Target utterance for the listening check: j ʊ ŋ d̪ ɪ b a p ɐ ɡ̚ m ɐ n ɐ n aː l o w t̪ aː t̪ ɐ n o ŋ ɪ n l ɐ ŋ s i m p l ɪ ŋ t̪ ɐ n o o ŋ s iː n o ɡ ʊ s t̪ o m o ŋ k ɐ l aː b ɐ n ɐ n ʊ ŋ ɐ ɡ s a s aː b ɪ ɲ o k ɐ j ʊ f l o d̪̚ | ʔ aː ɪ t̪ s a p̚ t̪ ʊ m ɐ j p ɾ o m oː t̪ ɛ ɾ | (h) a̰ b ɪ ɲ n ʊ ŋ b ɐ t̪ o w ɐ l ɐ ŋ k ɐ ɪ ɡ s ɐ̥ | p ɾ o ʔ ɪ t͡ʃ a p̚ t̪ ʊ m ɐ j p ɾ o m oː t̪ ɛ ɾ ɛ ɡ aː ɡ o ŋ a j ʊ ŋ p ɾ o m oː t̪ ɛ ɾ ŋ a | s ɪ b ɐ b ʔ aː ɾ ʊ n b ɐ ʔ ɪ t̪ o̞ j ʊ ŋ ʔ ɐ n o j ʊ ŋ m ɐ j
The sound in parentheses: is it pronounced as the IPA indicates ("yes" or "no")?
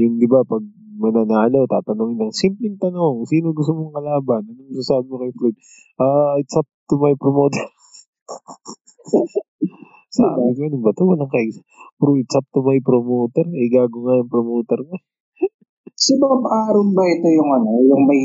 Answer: no